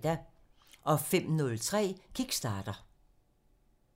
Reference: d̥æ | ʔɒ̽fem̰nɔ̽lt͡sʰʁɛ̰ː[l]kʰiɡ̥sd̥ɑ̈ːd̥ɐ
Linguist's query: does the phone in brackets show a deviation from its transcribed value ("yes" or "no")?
yes